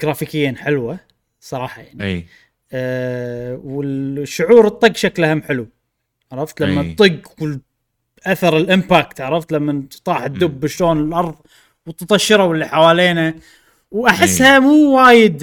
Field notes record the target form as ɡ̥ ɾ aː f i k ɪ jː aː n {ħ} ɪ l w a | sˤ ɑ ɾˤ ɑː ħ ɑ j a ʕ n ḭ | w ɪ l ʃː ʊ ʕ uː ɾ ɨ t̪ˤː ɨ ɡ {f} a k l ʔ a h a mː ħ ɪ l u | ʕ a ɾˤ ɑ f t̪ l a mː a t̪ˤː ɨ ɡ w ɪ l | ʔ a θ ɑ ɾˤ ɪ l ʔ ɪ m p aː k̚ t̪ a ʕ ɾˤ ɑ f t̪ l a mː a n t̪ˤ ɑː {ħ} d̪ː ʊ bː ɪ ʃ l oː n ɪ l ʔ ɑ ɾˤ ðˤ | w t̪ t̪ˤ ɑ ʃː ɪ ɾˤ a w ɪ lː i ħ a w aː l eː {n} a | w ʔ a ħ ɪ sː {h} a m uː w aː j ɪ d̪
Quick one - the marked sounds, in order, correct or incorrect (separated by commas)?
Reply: correct, incorrect, correct, correct, correct